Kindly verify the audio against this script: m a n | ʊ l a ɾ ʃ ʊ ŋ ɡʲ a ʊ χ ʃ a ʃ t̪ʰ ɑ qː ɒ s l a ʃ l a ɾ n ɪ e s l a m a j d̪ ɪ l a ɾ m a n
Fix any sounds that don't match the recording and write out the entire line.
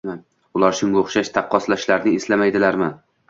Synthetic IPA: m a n | ʊ l a ɾ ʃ ʊ ŋ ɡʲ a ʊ χ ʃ a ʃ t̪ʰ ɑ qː ɒ s l a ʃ l a ɾ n ɪ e s l a m a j d̪ ɪ l a ɾ m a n